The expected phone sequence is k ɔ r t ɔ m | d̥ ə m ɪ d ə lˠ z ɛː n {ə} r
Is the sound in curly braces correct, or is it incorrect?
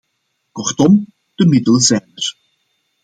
correct